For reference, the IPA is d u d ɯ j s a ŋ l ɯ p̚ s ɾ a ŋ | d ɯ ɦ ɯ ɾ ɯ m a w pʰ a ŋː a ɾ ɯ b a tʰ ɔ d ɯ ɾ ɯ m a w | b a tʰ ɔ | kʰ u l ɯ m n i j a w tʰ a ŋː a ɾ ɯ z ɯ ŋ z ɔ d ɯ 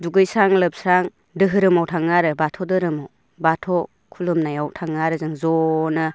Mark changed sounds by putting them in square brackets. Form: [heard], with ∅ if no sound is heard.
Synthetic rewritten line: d u [ɡ] ɯ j s a ŋ l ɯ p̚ s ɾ a ŋ | d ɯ ɦ ɯ ɾ ɯ m a w [tʰ] a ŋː a ɾ ɯ b a tʰ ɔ d ɯ ɾ ɯ m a w | b a tʰ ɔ | kʰ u l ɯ m n [a] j a w tʰ a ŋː a ɾ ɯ z ɯ ŋ z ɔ [n] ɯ